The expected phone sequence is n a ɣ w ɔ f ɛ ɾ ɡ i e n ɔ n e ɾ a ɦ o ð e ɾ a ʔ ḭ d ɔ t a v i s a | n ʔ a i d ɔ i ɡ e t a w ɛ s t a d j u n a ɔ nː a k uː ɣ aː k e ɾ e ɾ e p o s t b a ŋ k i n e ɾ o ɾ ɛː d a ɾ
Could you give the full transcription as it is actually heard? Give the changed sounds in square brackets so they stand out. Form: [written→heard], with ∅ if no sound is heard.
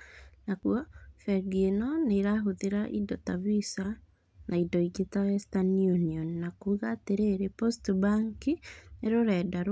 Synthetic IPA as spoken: n a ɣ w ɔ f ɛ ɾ ɡ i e n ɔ n e ɾ a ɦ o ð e ɾ a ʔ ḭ d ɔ t a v i s a | n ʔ a i d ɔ i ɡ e t a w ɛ s t a [d→n] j u n [a→i] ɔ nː a k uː ɣ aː [k→t] e ɾ e ɾ e p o s t b a ŋ k i n e ɾ o ɾ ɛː d a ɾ

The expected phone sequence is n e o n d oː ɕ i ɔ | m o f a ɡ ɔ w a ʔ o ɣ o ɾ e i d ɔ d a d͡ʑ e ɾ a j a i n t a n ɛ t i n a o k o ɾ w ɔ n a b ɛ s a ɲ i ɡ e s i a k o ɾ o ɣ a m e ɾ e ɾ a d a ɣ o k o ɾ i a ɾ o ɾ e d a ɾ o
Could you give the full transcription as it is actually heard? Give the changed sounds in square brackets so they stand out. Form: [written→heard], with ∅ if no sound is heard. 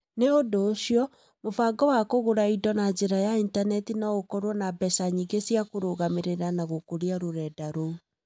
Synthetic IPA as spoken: n e o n d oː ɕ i ɔ | m o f a ɡ ɔ w a [ʔ→k] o ɣ o ɾ [e→a] i d ɔ [d→n] a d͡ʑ e ɾ a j a i n t a n ɛ t i n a o k [o→ɔ] ɾ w ɔ n a b ɛ s a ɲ i ɡ e s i a k o ɾ o ɣ a m e ɾ e ɾ a [d→n] a ɣ o k o ɾ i a ɾ o ɾ [e→ɛ] d a ɾ o

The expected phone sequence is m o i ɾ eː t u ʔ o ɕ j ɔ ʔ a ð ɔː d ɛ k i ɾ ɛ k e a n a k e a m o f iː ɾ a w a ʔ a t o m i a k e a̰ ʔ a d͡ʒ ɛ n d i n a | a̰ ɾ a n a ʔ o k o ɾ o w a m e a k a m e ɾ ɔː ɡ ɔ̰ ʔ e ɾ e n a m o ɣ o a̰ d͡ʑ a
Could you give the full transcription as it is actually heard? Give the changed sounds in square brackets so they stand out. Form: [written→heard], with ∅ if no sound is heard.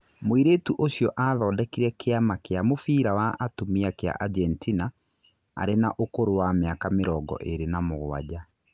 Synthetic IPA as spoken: m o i ɾ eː t u ʔ o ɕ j ɔ ʔ a ð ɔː d ɛ k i ɾ ɛ k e a [n→m] a k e a m o f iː ɾ a w a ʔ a t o m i a k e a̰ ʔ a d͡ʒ ɛ n [d→t] i n a | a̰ ɾ [a→e] n a ʔ o k o ɾ o w a m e a k a m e ɾ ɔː ɡ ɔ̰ ʔ e ɾ e n a m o ɣ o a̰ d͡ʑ a

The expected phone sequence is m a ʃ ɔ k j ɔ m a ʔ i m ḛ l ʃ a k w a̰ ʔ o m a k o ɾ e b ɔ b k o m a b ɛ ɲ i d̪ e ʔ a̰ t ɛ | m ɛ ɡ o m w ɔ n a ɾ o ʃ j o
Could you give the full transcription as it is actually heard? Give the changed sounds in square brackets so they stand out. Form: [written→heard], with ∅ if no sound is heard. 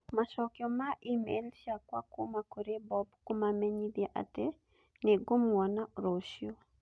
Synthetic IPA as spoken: m a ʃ ɔ k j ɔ m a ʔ i m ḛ l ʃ a k w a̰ [ʔ→k] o m a k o ɾ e b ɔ b k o m a [b→m] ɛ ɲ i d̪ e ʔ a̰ t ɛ | [m→n] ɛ ɡ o m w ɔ n a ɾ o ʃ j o

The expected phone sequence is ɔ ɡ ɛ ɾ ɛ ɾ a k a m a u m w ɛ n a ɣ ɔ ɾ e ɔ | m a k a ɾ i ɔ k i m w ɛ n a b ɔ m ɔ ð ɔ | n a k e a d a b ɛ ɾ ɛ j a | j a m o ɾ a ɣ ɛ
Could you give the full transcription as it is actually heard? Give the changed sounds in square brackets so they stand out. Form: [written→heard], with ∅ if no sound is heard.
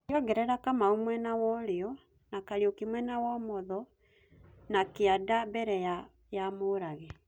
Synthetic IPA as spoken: ɔ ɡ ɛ ɾ ɛ ɾ a k a m a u m w ɛ n a [ɣ→w] ɔ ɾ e ɔ | [m→n] a k a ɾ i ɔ k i m w ɛ n a [b→w] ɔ m ɔ ð ɔ | n a k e a d a b ɛ ɾ ɛ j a | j a m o ɾ a ɣ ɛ

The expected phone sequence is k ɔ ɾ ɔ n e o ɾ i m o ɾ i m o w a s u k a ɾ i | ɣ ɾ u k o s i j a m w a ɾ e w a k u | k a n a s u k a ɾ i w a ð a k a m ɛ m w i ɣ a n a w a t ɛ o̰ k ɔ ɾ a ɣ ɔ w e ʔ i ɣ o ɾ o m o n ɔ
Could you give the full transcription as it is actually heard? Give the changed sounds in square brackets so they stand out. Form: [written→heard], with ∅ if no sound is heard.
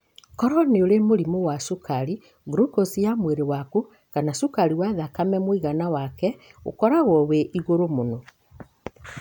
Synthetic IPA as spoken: k ɔ ɾ ɔ n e o ɾ [i→e] m o ɾ i m o w a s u k a ɾ i | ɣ ɾ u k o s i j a m w [a→e] ɾ e w a k u | k a n a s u k a ɾ i w a ð a k a m ɛ m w i ɣ a n a w a [t→k] ɛ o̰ k ɔ ɾ a ɣ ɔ w e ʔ i ɣ o ɾ o m o n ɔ

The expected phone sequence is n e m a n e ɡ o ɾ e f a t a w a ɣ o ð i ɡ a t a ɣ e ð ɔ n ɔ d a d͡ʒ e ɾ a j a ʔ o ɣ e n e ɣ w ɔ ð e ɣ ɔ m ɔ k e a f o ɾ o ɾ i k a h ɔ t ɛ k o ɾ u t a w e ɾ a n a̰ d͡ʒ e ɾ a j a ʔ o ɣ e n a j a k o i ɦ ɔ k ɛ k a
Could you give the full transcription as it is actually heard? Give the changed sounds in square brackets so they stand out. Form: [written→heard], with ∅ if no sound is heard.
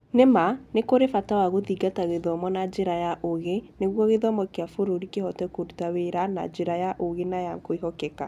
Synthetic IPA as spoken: n e m a n e [ɡ→k] o ɾ e f a t a w a ɣ o ð i ɡ a t a ɣ e ð ɔ [n→m] ɔ [d→n] a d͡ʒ e ɾ a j a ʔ o ɣ e n e ɣ w ɔ [ð→ɣ] e [ɣ→ð] ɔ m ɔ k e a f o ɾ o ɾ i k [a→e] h ɔ t ɛ k o ɾ u t a w e ɾ a n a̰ d͡ʒ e ɾ a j a ʔ o ɣ e n a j a k o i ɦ ɔ k ɛ k a

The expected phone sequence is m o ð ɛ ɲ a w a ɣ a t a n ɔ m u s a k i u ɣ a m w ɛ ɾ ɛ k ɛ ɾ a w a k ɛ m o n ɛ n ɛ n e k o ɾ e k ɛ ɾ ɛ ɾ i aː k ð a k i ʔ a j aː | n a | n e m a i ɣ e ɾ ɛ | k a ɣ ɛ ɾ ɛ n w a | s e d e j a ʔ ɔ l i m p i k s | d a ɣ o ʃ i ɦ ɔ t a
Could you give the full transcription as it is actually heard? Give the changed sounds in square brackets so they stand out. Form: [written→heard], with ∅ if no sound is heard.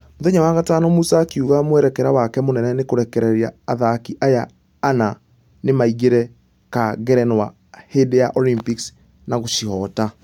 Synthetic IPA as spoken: m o ð ɛ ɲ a w a ɣ a t a n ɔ m u s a k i u ɣ a m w ɛ ɾ ɛ k ɛ ɾ a w a k ɛ m o n ɛ n ɛ n e k o ɾ [e→ɛ] k ɛ ɾ ɛ ɾ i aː [k→∅] ð a k i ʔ a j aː | n a | n e m a i ɣ e ɾ ɛ | k a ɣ ɛ ɾ ɛ n w a | [s→h] e d e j a ʔ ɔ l i m p i k s | [d→n] a ɣ o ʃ i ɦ ɔ t a

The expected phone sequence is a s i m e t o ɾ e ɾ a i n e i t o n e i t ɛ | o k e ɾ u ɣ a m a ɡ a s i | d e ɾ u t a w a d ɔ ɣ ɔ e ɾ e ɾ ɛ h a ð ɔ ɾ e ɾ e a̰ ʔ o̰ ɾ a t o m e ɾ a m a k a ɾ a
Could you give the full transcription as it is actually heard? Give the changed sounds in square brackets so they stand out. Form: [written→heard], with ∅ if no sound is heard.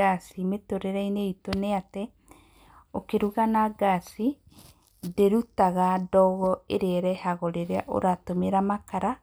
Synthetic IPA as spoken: a s i m e t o ɾ e ɾ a i n e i t o n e [i→a] t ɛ | o k e ɾ u ɣ a [m→n] a ɡ a s i | d e ɾ u t a [w→ɣ] a d ɔ ɣ ɔ e ɾ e ɾ ɛ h a [ð→ɣ] ɔ ɾ e ɾ e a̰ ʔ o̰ ɾ a t o m e ɾ a m a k a ɾ a

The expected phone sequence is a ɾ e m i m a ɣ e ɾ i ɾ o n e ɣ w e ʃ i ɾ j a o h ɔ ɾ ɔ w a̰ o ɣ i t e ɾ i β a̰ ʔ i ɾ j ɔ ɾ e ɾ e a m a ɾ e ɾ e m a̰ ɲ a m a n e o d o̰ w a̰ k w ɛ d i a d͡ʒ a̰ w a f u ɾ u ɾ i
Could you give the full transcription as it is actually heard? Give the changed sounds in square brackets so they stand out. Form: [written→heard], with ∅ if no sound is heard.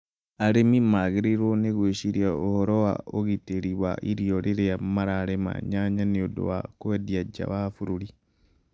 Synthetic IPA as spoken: a ɾ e m i m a ɣ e ɾ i ɾ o n e ɣ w e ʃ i ɾ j a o h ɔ ɾ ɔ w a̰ o ɣ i t e ɾ i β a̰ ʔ i ɾ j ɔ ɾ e ɾ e a m a ɾ [e→a] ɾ e m a̰ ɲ a [m→ɲ] a n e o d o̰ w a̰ k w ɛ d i a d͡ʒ a̰ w a f u ɾ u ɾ i

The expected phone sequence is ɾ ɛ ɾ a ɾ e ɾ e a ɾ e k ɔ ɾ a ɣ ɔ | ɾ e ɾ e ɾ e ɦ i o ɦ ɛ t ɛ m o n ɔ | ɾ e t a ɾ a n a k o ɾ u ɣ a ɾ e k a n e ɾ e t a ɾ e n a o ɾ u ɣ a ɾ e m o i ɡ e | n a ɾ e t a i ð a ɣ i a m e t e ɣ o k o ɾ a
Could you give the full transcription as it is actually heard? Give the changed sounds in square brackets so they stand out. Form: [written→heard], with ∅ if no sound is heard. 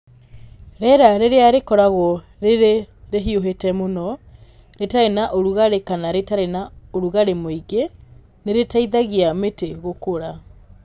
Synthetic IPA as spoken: ɾ ɛ ɾ a ɾ e ɾ e a ɾ e k ɔ ɾ a ɣ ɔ | ɾ e ɾ e ɾ e ɦ i o ɦ [ɛ→e] t ɛ m o n ɔ | ɾ e t a ɾ [a→e] n a [k→ʔ] o ɾ u ɣ a ɾ e k a n [e→a] ɾ e t a ɾ e n a o ɾ u ɣ a ɾ e m o i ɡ e | n [a→e] ɾ e t a i ð a ɣ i a m e t e ɣ o k o ɾ a

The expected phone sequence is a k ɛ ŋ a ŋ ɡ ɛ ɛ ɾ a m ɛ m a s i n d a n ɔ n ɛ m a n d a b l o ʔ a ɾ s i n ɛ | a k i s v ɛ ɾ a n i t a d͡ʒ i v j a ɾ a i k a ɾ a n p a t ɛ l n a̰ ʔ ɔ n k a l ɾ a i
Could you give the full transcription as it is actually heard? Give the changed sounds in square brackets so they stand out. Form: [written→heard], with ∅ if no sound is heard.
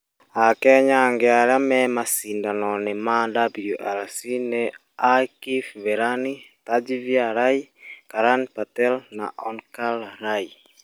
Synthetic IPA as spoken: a k ɛ [ŋ→ɲ] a ŋ ɡ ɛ [ɛ→a] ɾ a m ɛ m a s i n d a n ɔ n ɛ m a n d a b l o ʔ a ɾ s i n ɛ | a k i [s→f] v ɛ ɾ a n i t a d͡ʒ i v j a ɾ a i k a ɾ a n p a t ɛ l n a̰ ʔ ɔ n k a l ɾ a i

